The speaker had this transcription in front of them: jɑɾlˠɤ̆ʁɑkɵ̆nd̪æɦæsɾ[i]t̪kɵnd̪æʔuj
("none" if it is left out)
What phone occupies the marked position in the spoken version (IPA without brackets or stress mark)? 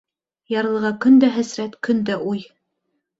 æ